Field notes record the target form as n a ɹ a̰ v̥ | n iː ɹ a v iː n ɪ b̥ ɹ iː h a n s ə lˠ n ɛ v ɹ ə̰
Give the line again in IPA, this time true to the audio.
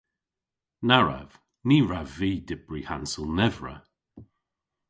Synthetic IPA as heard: n a ɹ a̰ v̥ | n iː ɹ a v iː d ɪ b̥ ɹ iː h a n s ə lˠ n ɛ v ɹ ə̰